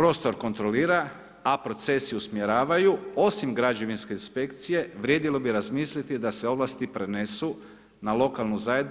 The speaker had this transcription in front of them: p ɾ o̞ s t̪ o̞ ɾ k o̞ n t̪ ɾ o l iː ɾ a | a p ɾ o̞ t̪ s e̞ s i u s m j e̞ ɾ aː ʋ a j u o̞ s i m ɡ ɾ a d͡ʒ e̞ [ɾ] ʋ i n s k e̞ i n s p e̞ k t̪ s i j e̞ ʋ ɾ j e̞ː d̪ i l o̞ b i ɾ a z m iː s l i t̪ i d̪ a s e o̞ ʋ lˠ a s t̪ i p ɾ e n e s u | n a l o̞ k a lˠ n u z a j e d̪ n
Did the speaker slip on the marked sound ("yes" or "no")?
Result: yes